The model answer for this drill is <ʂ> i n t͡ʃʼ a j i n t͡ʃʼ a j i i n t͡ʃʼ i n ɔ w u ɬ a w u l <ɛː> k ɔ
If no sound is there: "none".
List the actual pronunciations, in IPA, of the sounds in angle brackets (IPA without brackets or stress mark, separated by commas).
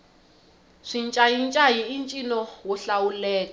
ʂ, ɛː